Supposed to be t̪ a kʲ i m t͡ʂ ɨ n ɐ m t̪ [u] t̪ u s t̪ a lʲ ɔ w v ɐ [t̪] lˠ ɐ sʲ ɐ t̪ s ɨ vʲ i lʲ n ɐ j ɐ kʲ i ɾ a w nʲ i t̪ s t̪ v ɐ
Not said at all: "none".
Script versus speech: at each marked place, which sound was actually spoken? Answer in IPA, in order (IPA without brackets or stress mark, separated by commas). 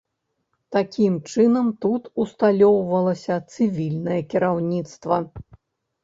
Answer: u, none